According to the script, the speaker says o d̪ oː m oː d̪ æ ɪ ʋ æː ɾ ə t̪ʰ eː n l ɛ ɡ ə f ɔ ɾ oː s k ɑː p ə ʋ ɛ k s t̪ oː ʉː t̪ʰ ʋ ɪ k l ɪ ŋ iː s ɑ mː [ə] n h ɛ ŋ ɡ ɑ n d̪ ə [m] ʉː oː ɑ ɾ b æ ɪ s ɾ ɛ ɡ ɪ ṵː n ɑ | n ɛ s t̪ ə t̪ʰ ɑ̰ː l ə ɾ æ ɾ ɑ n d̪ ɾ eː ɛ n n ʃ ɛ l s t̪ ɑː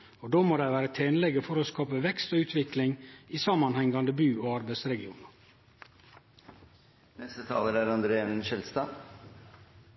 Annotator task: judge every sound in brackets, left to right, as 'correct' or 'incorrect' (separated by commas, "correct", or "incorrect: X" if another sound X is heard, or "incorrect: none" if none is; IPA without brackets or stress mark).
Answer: incorrect: ɑ, incorrect: b